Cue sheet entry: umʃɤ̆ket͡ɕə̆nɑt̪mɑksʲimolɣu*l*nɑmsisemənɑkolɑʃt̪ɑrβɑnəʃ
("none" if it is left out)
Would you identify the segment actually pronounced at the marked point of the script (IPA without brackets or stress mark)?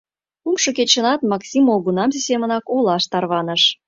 none